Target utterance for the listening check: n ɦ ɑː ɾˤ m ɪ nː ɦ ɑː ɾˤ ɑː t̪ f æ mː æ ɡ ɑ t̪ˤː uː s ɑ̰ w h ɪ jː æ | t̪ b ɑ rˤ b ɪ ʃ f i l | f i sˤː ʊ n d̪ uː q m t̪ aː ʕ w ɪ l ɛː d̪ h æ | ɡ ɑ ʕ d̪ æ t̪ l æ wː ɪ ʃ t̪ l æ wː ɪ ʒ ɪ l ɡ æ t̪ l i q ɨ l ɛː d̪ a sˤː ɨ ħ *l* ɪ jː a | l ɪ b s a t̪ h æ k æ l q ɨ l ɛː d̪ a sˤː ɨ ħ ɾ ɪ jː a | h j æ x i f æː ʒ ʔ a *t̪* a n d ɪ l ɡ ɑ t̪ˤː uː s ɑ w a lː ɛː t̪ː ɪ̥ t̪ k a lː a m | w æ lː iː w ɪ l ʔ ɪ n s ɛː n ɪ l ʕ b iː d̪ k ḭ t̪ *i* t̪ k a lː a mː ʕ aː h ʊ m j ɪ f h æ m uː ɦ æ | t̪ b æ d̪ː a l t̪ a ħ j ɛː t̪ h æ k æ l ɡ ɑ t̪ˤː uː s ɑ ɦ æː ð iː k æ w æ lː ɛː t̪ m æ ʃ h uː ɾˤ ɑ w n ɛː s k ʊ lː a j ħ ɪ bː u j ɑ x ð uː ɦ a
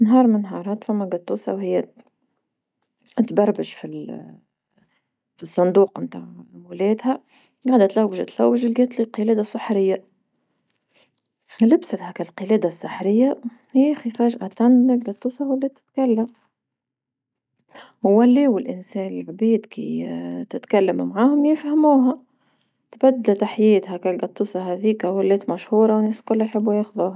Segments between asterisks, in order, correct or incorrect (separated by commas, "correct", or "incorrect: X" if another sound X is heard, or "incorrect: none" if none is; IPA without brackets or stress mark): incorrect: ɾ, correct, incorrect: ɪ